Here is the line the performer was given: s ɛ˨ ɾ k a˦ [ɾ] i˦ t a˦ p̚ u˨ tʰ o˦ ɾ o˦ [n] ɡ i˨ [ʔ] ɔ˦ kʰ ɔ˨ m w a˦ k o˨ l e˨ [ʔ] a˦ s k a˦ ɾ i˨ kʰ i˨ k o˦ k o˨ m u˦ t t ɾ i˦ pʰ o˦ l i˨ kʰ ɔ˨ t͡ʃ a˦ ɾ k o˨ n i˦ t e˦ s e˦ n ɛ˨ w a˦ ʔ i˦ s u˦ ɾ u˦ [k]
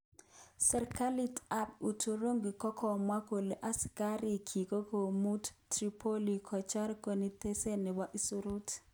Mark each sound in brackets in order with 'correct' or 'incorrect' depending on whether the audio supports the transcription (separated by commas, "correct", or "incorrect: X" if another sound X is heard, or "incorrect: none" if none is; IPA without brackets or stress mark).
incorrect: l, incorrect: ŋ, incorrect: k, correct, incorrect: t